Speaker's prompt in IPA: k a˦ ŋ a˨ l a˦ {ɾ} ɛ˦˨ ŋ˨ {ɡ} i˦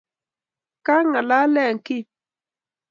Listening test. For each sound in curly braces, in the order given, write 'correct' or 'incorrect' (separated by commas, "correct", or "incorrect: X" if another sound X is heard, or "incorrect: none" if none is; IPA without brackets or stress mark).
incorrect: l, incorrect: k